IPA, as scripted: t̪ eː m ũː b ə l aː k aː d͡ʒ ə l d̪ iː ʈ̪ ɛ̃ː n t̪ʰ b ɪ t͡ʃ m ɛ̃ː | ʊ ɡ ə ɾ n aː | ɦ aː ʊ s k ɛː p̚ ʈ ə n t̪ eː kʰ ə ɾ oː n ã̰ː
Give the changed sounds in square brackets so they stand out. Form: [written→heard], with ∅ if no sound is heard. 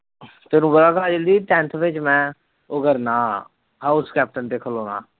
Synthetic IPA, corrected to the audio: t̪ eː [m→n] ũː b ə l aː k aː d͡ʒ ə l d̪ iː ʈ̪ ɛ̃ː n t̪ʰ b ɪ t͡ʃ m ɛ̃ː | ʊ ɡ ə ɾ n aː | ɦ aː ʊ s k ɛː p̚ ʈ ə n t̪ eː kʰ ə [ɾ→l] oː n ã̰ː